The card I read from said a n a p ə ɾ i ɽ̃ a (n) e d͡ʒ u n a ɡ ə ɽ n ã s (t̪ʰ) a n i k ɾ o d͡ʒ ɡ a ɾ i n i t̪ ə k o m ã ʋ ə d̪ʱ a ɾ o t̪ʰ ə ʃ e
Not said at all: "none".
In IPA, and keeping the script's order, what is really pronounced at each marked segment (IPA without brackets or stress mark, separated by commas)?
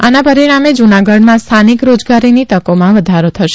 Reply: m, t̪ʰ